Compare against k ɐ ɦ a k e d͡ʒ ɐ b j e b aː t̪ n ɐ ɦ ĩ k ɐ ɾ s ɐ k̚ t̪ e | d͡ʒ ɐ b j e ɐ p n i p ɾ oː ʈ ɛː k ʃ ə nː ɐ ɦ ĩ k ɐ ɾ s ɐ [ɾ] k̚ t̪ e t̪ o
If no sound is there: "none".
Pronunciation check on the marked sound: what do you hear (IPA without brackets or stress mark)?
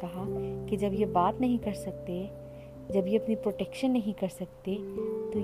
none